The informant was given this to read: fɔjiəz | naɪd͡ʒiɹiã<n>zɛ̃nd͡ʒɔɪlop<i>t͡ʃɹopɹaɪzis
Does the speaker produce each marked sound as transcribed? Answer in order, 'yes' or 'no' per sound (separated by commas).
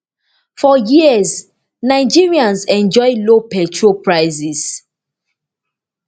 yes, no